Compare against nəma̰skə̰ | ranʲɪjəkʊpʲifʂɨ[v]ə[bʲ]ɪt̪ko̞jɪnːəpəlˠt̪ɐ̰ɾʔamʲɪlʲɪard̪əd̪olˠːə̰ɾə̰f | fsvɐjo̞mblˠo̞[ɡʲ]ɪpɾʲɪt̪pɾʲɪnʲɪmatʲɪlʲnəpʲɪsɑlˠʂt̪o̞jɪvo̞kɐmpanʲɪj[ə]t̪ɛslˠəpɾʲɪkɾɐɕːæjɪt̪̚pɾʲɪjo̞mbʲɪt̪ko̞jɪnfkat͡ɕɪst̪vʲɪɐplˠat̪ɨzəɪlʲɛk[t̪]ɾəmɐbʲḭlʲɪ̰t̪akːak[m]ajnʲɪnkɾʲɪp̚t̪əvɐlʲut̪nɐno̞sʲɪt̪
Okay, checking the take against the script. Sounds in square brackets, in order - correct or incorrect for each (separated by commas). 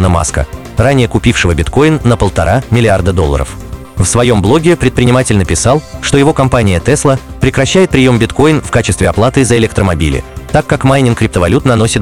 correct, correct, correct, correct, correct, correct